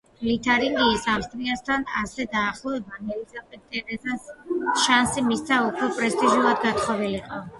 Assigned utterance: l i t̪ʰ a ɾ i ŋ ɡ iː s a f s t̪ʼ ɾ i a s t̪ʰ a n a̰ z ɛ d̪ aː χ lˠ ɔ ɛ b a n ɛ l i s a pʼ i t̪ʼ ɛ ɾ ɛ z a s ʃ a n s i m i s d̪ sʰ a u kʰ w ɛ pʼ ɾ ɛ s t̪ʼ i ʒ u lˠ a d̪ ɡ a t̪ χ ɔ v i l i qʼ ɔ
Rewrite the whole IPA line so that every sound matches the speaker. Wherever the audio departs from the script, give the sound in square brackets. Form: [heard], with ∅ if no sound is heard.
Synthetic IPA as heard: l i t̪ʰ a ɾ i ŋ ɡ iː s a f s t̪ʼ ɾ i a s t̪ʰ a n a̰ [s] ɛ d̪ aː χ lˠ ɔ ɛ b a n ɛ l i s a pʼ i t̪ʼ ɛ ɾ ɛ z a s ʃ a n s i m i s [t̪] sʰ a u kʰ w ɛ pʼ ɾ ɛ s t̪ʼ i ʒ u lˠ a d̪ ɡ a t̪ χ ɔ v i l i qʼ ɔ

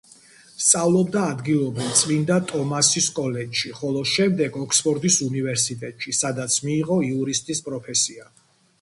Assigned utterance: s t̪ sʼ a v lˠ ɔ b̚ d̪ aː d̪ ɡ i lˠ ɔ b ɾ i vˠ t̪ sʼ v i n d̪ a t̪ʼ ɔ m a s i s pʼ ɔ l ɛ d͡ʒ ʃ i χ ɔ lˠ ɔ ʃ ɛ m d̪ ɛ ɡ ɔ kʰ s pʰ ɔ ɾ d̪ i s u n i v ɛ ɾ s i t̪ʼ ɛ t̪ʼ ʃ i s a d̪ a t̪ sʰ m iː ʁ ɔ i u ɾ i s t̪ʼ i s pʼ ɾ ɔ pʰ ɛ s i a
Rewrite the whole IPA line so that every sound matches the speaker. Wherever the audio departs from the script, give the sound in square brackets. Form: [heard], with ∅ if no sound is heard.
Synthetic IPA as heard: s t̪ sʼ a v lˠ ɔ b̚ d̪ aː d̪ ɡ i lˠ ɔ b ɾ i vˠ t̪ sʼ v i n d̪ a t̪ʼ ɔ m a s i s [kʼ] ɔ l ɛ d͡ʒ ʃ i χ ɔ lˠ ɔ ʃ ɛ m d̪ ɛ ɡ ɔ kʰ s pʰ ɔ ɾ d̪ i s u n i v ɛ ɾ s i t̪ʼ ɛ t̪ʼ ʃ i s a d̪ a t̪ sʰ m iː ʁ ɔ i u ɾ i s t̪ʼ i s pʼ ɾ ɔ pʰ ɛ s i a

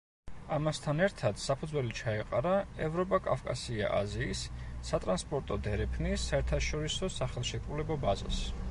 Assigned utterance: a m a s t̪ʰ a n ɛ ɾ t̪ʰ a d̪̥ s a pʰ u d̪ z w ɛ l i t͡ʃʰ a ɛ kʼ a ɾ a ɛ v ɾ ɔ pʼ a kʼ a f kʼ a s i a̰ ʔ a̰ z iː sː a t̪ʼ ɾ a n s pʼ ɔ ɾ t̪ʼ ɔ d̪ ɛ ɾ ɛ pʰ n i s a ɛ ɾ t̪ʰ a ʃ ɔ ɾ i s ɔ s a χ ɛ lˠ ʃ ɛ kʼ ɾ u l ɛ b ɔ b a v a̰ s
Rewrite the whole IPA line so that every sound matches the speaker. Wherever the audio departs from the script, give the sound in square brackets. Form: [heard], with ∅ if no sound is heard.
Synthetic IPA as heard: a m a s t̪ʰ a n ɛ ɾ t̪ʰ a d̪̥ s a pʰ u d̪ z w ɛ l i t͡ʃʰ a ɛ [qʼ] a ɾ a ɛ v ɾ ɔ pʼ a kʼ a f kʼ a s i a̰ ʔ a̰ z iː sː a t̪ʼ ɾ a n s pʼ ɔ ɾ t̪ʼ ɔ d̪ ɛ ɾ ɛ pʰ n i s a ɛ ɾ t̪ʰ a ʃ ɔ ɾ i s ɔ s a χ ɛ lˠ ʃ ɛ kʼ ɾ u l ɛ b ɔ b a [z] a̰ s

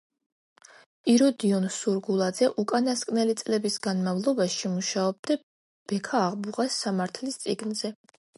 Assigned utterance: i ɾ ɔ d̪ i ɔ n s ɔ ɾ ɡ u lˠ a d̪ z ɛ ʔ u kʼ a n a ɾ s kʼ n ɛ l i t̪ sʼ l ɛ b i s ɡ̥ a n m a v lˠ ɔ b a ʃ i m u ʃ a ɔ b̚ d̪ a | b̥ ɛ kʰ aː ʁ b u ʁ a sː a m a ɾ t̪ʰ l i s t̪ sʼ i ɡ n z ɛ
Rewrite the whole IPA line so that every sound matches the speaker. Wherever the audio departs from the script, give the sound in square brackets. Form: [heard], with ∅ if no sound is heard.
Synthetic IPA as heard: i ɾ ɔ d̪ i ɔ n s [u] ɾ ɡ u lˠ a d̪ z ɛ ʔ u kʼ a n a [∅] s kʼ n ɛ l i t̪ sʼ l ɛ b i s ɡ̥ a n m a v lˠ ɔ b a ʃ i m u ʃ a ɔ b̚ d̪ a | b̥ ɛ kʰ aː ʁ b u ʁ a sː a m a ɾ t̪ʰ l i s t̪ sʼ i ɡ n z ɛ

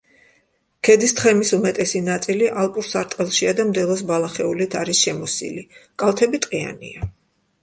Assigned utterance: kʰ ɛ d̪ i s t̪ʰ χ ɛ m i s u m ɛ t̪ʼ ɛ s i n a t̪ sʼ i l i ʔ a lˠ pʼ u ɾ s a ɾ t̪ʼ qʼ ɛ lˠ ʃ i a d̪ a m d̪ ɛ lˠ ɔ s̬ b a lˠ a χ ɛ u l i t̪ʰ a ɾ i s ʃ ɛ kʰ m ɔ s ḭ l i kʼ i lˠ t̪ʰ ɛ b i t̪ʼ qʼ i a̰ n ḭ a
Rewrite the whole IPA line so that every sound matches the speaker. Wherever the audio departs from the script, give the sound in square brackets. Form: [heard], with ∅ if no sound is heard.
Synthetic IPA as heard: kʰ ɛ d̪ i s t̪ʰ χ ɛ m i s u m ɛ t̪ʼ ɛ s i n a t̪ sʼ i l i ʔ a lˠ pʼ u ɾ s a ɾ t̪ʼ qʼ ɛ lˠ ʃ i a d̪ a m d̪ ɛ lˠ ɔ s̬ b a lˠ a χ ɛ u l i t̪ʰ a ɾ i s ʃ ɛ [∅] m ɔ s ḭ l i kʼ [a] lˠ t̪ʰ ɛ b i t̪ʼ qʼ i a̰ n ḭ a

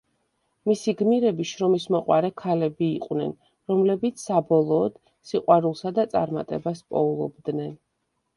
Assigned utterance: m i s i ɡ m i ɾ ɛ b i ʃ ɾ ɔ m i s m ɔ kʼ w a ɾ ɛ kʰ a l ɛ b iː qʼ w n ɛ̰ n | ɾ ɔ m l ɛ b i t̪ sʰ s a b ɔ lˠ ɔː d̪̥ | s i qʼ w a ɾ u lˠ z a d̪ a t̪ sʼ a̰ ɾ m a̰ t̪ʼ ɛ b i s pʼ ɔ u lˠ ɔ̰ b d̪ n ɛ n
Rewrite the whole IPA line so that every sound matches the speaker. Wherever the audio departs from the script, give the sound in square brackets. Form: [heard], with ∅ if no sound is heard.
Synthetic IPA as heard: m i s i ɡ m i ɾ ɛ b i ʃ ɾ ɔ m i s m ɔ [qʼ] w a ɾ ɛ kʰ a l ɛ b iː qʼ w n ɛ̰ n | ɾ ɔ m l ɛ b i t̪ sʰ s a b ɔ lˠ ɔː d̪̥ | s i qʼ w a ɾ u lˠ [s] a d̪ a t̪ sʼ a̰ ɾ m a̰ t̪ʼ ɛ b [a] s pʼ ɔ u lˠ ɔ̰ b d̪ n ɛ n

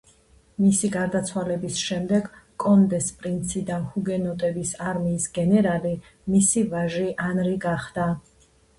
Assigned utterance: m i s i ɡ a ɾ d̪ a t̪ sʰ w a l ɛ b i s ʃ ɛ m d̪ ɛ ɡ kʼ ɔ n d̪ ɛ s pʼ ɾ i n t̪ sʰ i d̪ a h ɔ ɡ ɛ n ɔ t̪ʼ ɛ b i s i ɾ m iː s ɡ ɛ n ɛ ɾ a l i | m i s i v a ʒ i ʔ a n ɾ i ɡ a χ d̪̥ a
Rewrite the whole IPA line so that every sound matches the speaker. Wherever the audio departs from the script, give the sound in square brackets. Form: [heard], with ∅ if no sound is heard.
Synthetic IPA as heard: m i s i ɡ a ɾ d̪ a t̪ sʰ w a l ɛ b i s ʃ ɛ m d̪ ɛ ɡ kʼ ɔ n d̪ ɛ s pʼ ɾ i n t̪ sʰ i d̪ a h [u] ɡ ɛ n ɔ t̪ʼ ɛ b i s [a] ɾ m iː s ɡ ɛ n ɛ ɾ a l i | m i s i v a ʒ i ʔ a n ɾ i ɡ a χ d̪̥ a

